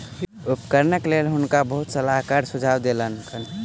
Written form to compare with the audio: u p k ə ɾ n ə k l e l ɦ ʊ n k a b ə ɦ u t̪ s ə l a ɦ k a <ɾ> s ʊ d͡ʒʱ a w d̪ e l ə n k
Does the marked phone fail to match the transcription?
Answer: no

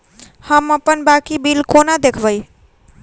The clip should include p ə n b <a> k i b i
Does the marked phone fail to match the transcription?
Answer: no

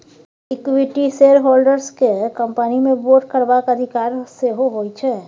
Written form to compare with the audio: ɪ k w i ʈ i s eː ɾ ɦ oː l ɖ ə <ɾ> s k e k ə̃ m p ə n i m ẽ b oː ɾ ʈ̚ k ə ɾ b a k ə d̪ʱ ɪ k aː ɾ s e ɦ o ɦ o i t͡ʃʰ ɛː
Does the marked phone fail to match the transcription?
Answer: no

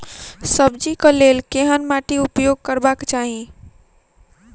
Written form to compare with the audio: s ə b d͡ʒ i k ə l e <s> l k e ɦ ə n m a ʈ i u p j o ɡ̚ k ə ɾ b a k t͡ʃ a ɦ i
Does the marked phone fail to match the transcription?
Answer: yes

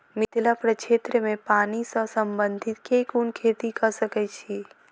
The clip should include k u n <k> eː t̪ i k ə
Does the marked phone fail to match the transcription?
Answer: yes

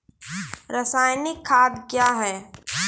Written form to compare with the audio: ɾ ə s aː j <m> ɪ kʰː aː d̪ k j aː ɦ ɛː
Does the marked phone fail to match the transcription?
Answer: yes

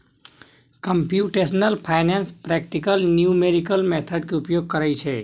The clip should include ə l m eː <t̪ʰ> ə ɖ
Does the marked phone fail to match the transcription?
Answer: no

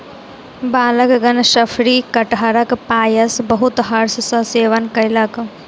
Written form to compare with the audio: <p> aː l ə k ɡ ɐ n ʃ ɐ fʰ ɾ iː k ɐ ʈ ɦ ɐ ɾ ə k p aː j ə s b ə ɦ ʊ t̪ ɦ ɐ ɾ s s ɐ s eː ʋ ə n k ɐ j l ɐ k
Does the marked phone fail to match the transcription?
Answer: yes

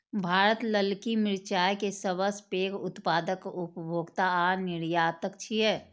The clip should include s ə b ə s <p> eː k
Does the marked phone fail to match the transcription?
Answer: no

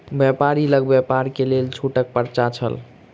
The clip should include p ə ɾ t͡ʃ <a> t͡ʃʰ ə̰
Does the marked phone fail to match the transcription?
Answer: no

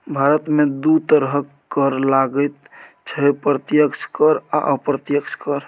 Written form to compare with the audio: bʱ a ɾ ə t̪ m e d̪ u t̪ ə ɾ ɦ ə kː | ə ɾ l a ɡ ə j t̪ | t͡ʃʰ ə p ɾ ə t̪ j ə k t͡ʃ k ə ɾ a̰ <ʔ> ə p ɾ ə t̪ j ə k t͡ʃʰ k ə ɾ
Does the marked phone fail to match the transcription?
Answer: no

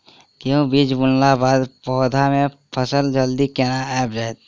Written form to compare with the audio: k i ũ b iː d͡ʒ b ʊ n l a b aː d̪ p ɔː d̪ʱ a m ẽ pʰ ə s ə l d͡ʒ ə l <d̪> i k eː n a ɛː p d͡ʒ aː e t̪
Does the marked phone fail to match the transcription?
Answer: no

